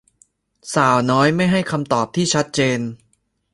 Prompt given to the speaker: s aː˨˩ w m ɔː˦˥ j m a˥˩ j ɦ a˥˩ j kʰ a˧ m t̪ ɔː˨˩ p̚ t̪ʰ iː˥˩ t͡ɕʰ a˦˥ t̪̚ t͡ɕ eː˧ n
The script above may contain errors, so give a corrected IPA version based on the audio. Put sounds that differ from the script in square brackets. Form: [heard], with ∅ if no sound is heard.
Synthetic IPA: s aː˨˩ w [n] ɔː˦˥ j m a˥˩ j ɦ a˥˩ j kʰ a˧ m t̪ ɔː˨˩ p̚ t̪ʰ iː˥˩ t͡ɕʰ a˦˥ t̪̚ t͡ɕ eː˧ n